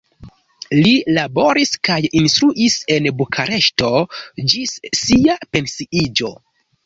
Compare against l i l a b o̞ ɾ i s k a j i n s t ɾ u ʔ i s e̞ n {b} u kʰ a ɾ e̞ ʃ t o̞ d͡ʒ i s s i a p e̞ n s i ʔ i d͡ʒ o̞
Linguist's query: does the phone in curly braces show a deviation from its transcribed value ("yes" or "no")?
no